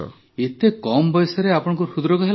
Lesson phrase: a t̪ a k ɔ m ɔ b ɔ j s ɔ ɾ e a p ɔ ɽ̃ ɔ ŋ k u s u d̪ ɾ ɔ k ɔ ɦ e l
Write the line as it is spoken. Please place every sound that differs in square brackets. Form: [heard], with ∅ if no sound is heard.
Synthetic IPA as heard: [e] t̪ [e] k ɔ m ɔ b ɔ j s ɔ ɾ e a p ɔ ɽ̃ ɔ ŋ k u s u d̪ ɾ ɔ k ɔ ɦ e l